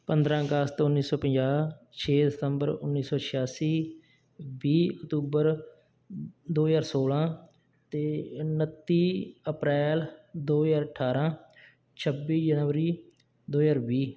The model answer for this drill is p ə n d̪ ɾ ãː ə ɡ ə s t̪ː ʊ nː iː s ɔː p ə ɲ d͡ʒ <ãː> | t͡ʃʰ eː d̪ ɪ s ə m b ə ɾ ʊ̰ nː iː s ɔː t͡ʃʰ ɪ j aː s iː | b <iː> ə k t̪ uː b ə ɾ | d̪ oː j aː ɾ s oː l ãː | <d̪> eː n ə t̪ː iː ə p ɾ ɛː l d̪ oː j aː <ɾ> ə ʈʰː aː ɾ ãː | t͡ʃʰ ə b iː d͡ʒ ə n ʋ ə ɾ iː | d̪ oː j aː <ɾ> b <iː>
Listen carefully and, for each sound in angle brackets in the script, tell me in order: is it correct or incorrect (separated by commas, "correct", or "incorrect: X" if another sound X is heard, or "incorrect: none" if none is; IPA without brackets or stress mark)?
incorrect: aː, correct, incorrect: t̪, correct, correct, correct